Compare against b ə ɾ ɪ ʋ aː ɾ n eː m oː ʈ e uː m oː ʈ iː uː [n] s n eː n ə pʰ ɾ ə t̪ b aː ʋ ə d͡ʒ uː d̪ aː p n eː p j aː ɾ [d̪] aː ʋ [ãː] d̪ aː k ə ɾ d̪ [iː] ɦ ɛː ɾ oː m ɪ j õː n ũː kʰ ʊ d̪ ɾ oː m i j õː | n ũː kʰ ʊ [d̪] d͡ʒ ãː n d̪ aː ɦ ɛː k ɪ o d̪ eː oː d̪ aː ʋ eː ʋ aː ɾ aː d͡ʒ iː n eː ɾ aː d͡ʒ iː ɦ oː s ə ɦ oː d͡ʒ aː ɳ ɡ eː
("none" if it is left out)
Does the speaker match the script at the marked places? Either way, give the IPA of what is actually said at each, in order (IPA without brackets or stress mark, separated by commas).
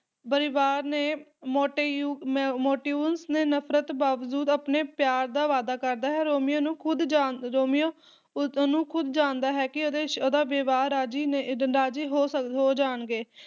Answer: n, d̪, aː, aː, d̪